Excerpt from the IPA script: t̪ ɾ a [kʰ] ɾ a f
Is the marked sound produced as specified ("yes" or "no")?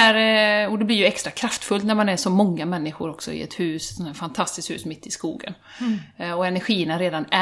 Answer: yes